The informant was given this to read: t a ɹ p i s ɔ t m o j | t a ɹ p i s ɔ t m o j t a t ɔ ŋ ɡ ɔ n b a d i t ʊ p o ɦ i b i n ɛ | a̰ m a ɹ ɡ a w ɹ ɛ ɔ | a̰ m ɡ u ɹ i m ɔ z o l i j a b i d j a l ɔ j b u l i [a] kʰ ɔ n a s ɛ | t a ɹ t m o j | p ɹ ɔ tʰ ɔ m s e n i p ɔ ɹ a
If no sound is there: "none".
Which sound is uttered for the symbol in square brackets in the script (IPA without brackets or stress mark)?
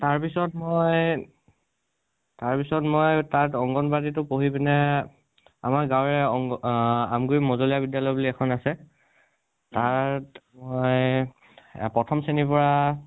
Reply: ɛ